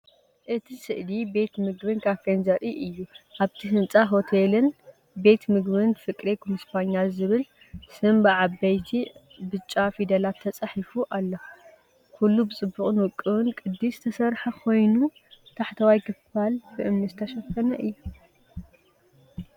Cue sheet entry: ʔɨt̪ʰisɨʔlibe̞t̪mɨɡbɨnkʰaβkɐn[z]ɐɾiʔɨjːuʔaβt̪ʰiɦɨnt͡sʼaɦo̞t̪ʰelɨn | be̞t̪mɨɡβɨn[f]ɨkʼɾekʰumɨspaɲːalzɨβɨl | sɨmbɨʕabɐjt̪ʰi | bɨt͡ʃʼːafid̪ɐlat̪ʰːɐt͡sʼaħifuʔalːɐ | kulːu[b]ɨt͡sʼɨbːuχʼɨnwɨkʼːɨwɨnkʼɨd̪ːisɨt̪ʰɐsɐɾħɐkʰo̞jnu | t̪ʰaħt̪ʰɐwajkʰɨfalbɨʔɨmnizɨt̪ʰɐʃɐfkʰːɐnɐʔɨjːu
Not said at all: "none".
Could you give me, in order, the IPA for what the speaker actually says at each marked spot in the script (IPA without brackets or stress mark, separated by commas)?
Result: z, f, b